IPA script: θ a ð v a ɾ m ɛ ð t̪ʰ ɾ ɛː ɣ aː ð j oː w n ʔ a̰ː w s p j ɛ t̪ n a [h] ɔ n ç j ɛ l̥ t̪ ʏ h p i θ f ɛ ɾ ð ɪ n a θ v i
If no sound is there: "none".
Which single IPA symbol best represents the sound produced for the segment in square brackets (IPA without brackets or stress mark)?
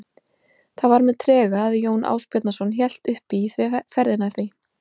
s